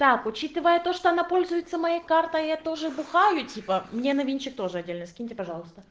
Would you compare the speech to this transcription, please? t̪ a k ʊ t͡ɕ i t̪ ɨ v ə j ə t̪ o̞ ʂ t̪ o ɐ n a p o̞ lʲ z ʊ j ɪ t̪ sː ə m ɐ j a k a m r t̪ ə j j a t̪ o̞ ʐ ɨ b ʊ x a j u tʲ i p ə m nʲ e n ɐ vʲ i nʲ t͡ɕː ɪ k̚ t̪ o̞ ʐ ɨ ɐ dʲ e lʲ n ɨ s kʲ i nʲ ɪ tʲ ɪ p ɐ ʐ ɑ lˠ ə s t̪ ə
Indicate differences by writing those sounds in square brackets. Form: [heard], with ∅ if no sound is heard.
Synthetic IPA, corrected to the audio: t̪ a k ʊ t͡ɕ i t̪ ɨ v ə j ə t̪ o̞ ʂ t̪ o ɐ n a p o̞ lʲ z ʊ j ɪ t̪ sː ə m ɐ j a k a [∅] r t̪ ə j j a t̪ o̞ ʐ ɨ b ʊ x a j [ʊ] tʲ i p ə m nʲ e n ɐ vʲ i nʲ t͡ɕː ɪ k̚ t̪ o̞ ʐ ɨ ɐ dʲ e lʲ n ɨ s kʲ i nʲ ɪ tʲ ɪ p ɐ ʐ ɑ lˠ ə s t̪ ə